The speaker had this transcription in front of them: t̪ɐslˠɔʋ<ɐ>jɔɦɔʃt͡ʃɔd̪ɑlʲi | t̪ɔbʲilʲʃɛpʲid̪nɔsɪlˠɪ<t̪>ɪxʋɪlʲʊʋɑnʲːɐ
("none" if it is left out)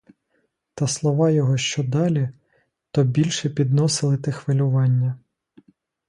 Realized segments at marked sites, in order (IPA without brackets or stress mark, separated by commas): ɑ, t̪